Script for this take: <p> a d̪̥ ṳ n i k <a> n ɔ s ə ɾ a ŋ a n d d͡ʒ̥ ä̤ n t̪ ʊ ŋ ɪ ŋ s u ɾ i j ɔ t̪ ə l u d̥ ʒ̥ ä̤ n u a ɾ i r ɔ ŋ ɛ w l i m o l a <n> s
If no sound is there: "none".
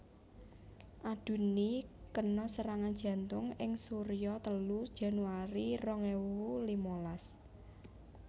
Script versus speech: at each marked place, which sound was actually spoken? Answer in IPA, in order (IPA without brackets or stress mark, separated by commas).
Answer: ʔ, ə, none